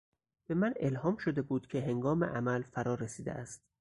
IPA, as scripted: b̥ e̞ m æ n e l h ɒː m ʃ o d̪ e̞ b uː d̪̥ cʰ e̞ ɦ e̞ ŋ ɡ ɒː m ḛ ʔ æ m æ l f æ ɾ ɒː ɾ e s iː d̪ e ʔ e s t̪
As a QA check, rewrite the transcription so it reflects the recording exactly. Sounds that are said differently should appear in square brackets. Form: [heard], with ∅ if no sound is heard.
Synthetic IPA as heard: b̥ e̞ m æ n e l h ɒː m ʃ o d̪ e̞ b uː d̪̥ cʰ e̞ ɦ e̞ ŋ ɡ ɒː m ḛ ʔ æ m æ l f æ ɾ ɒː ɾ e s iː d̪ e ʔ [æ] s t̪